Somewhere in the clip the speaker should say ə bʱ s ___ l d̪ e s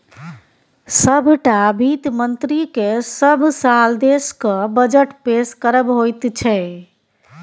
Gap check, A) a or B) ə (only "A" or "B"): A